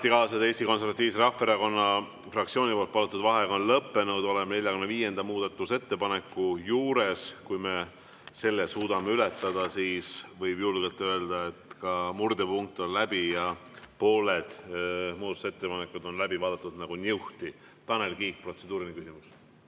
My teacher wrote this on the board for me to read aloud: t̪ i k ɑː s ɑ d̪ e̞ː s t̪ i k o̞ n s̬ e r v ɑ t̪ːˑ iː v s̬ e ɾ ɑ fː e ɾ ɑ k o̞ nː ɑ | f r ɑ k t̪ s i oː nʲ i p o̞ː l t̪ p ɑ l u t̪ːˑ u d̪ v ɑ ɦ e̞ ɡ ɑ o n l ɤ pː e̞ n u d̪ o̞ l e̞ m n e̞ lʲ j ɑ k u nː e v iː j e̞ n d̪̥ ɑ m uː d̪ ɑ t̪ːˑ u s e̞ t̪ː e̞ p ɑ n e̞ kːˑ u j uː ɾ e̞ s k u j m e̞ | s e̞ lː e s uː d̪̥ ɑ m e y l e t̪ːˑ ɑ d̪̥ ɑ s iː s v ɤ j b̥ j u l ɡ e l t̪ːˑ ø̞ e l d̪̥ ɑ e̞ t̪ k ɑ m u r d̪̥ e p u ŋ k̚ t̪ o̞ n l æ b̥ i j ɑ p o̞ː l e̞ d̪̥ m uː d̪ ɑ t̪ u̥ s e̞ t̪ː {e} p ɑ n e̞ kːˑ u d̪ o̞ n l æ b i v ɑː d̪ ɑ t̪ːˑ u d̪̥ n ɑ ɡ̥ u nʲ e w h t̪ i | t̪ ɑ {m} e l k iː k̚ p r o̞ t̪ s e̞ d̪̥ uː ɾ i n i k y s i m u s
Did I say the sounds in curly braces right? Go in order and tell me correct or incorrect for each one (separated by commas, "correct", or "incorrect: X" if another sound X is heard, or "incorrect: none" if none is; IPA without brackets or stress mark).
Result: correct, incorrect: n